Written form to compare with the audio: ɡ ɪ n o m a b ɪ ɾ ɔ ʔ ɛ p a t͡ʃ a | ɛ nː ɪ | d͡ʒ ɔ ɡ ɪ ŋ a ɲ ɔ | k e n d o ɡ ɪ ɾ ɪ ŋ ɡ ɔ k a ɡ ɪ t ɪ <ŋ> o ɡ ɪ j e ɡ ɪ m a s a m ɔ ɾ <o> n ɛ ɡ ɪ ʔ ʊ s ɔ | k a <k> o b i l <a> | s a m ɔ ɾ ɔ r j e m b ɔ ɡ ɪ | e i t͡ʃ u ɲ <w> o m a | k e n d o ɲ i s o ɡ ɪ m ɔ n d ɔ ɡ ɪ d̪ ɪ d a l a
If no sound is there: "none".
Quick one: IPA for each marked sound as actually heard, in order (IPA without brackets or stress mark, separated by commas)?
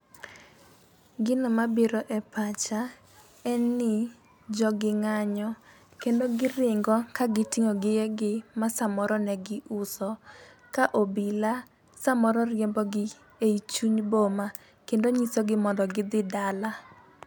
ŋ, ɔ, ʔ, a, b